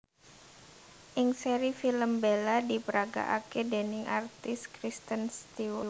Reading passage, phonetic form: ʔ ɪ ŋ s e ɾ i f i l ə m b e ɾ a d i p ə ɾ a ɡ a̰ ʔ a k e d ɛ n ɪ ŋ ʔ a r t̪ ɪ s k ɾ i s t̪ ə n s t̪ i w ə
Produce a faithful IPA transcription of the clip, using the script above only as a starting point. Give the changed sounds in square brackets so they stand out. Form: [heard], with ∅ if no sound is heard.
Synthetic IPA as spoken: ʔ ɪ ŋ s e ɾ i f i l ə m b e [l] a d i p ə ɾ a ɡ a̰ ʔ a k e d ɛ n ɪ ŋ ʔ a r t̪ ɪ s k ɾ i s t̪ ə n s t̪ i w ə